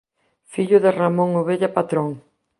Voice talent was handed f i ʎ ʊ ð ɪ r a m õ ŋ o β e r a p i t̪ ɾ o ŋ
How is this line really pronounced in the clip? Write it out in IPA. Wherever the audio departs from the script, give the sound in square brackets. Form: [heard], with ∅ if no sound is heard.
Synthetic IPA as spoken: f i ʎ ʊ ð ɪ r a m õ ŋ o β e [ʎ] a p [a] t̪ ɾ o ŋ